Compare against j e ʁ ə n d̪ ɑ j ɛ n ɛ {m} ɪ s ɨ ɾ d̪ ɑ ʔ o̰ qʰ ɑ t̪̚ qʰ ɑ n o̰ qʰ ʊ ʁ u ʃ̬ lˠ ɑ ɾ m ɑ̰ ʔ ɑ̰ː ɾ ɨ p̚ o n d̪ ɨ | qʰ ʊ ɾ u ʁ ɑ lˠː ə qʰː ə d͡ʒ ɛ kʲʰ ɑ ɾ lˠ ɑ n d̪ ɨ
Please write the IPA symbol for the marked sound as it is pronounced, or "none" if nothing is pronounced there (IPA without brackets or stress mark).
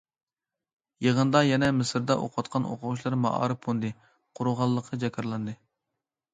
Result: m